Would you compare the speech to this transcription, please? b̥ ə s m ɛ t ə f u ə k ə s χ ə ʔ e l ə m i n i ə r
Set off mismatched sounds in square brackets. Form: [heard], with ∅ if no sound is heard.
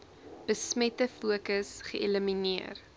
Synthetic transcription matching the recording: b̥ ə s m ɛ t ə f u ə k ə s χ ə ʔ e l ə m i n i ə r